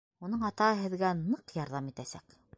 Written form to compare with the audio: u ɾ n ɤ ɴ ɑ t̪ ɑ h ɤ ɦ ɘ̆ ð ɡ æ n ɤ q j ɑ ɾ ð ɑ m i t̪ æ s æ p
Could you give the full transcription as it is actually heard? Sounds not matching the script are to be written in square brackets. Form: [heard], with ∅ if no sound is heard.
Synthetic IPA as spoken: u [∅] n ɤ ɴ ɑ t̪ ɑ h ɤ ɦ ɘ̆ ð ɡ æ n ɤ q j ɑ ɾ ð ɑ m i t̪ æ s æ [k]